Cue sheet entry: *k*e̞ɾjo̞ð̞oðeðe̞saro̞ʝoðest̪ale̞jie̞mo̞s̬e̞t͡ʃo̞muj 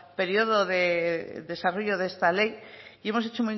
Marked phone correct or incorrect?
incorrect